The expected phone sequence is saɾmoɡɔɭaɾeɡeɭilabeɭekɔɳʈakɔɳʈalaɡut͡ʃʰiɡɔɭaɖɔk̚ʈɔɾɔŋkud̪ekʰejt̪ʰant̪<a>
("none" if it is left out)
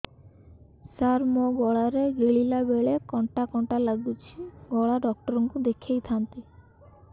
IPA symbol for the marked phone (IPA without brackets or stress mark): i